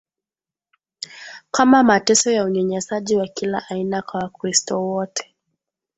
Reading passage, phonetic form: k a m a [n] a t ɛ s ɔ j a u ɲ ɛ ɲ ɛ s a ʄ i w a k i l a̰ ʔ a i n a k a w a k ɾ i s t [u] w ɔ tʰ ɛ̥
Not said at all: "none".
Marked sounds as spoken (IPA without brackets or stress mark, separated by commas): m, ɔ